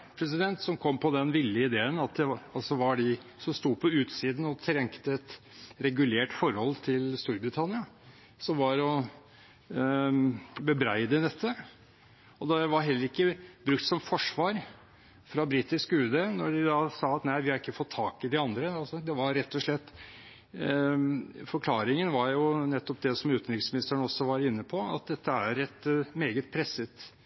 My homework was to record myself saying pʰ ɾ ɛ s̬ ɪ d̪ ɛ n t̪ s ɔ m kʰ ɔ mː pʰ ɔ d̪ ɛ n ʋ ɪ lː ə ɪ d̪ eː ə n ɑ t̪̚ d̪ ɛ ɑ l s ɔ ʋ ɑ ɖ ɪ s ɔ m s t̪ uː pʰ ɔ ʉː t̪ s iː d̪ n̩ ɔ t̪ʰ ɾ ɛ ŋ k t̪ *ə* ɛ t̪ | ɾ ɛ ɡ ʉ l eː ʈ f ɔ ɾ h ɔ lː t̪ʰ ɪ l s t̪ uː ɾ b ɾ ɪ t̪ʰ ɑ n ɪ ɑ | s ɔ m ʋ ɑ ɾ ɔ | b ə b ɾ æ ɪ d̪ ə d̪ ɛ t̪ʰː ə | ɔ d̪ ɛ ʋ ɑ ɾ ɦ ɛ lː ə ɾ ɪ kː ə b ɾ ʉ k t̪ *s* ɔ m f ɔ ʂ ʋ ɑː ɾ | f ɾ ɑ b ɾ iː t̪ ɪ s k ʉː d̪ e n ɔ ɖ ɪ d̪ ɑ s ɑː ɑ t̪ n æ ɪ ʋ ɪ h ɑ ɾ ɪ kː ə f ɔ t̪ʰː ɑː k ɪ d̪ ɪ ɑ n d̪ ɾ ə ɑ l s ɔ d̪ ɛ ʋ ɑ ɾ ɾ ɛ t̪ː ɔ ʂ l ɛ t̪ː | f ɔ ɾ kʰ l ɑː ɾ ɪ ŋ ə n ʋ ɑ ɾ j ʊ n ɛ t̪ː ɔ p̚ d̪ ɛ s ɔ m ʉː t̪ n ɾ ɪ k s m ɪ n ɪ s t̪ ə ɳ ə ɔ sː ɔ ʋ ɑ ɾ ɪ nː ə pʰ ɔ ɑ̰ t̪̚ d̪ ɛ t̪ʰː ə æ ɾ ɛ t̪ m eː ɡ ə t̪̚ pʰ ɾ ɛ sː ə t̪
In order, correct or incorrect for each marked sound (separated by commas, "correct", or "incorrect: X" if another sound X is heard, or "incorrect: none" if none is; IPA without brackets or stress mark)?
correct, correct